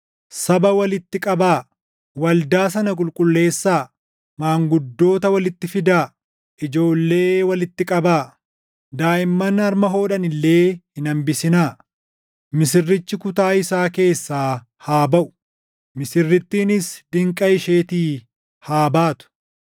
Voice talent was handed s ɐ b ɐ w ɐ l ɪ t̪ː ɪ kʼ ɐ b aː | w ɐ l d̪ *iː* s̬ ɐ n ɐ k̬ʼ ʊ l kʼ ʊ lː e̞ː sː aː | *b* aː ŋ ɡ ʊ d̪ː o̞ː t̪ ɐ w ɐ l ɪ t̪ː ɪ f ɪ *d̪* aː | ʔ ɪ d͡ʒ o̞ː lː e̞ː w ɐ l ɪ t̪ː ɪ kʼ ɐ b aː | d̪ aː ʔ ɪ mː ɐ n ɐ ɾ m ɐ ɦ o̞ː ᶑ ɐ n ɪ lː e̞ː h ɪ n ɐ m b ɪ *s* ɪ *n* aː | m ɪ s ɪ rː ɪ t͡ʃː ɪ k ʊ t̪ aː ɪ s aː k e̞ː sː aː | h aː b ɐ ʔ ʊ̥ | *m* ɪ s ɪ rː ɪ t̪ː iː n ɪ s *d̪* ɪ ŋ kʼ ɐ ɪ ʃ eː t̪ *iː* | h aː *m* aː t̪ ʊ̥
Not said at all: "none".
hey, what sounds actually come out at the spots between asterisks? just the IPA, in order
aː, m, d̪, s, n, m, d̪, iː, b

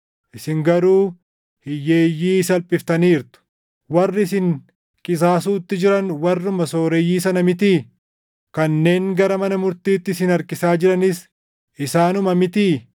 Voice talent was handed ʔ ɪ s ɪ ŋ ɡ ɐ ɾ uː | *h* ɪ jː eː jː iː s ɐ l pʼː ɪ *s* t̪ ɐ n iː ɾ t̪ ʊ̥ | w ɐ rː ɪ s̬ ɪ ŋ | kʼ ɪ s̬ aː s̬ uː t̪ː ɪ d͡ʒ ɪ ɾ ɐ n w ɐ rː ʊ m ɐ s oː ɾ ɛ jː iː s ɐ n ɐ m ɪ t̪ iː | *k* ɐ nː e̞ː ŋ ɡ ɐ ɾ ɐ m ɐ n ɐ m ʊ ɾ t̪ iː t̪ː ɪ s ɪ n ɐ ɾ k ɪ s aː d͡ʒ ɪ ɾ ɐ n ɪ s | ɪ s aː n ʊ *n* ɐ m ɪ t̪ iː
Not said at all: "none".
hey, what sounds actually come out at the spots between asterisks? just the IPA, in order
h, f, k, m

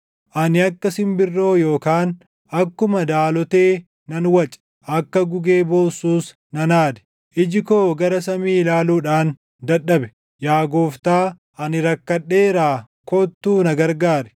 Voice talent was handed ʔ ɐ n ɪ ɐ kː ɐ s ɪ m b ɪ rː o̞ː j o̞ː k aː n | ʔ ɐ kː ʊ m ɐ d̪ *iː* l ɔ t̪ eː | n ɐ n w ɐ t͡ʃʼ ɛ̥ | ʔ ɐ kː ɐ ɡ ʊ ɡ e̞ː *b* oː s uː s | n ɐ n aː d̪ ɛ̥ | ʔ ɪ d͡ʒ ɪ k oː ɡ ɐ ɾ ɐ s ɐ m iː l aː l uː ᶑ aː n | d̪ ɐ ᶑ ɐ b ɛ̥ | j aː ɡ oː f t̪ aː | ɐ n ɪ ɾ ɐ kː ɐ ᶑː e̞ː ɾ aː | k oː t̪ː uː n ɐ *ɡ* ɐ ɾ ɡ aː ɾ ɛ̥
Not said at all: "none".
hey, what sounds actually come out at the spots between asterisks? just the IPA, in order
aː, b, ɡ

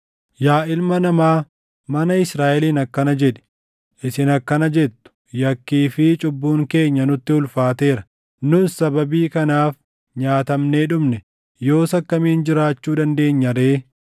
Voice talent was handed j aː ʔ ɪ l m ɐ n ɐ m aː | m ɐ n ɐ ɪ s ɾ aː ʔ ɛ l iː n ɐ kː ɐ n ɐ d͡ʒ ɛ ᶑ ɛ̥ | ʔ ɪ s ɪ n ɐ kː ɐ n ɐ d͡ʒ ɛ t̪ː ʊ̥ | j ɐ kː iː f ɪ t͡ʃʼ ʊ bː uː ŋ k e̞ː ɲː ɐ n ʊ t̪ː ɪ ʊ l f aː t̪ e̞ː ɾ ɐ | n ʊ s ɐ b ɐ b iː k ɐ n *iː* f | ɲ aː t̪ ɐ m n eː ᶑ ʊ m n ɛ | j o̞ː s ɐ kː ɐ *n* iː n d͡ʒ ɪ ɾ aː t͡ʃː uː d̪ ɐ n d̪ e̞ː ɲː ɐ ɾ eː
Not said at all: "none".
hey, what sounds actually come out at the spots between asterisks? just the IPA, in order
aː, m

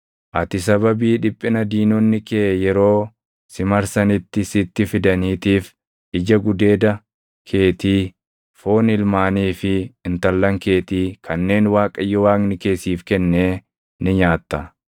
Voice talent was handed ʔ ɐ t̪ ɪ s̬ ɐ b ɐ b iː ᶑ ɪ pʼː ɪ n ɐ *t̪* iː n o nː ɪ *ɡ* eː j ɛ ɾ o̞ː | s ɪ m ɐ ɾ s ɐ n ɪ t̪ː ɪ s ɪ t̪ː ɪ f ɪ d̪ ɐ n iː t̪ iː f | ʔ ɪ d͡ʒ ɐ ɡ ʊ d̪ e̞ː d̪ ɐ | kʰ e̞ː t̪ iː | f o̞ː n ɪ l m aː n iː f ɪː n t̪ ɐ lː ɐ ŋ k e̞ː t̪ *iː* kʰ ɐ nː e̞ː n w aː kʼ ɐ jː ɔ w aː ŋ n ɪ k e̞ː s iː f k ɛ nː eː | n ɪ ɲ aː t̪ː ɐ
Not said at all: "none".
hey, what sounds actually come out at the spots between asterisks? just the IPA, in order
d̪, k, iː

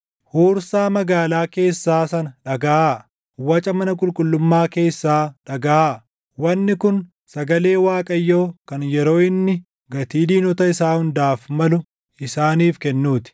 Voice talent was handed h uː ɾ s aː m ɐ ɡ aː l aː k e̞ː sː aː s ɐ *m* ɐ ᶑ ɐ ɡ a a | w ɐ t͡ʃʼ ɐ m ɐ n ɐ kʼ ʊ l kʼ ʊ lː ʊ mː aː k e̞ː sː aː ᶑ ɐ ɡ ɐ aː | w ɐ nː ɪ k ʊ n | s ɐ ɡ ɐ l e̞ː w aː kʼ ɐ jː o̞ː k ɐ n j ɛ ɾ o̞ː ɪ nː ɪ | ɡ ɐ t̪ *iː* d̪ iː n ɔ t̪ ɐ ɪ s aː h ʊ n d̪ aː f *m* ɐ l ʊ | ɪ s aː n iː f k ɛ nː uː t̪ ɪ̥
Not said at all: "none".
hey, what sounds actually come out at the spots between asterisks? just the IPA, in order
n, iː, m

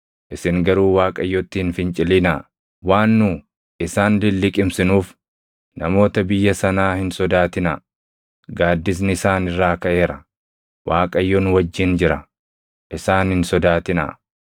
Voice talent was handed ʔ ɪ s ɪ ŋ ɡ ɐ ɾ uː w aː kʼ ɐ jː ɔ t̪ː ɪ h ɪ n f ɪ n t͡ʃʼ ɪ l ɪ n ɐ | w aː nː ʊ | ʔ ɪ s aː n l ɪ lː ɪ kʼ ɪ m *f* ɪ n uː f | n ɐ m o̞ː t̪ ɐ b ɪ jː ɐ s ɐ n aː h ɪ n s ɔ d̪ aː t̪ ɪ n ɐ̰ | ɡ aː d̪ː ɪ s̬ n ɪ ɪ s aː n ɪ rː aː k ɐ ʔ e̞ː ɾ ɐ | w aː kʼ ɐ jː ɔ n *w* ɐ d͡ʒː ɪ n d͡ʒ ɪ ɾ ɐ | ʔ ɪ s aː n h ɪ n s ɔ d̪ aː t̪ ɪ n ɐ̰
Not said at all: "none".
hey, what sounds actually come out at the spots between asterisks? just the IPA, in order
s, w

